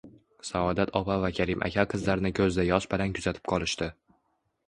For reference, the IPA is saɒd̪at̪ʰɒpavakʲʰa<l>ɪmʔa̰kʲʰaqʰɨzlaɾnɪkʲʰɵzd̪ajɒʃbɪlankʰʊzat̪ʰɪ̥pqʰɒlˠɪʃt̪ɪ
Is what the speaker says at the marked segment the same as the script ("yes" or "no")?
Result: no